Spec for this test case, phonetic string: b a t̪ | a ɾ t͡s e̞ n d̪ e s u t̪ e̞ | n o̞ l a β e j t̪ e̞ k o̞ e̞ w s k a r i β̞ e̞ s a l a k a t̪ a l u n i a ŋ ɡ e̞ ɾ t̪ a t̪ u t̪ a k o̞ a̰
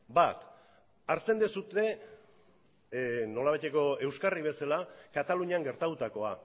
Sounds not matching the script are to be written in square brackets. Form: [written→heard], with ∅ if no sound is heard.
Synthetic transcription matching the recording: b a t̪ | a ɾ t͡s e̞ n d̪ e s u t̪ e̞ | n o̞ l a β [e→a] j t̪ e̞ k o̞ e̞ w s k a r i β̞ e̞ s a l a k a t̪ a l u [n→ɲ] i a ŋ ɡ e̞ ɾ t̪ a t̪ u t̪ a k o̞ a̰